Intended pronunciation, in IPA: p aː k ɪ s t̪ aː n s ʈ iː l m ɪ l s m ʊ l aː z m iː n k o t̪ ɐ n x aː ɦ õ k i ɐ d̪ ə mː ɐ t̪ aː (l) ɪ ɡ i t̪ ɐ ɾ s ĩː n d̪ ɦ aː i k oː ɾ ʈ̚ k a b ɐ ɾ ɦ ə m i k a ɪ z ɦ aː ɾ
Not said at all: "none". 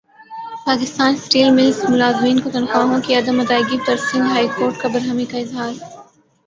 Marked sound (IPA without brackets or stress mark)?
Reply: none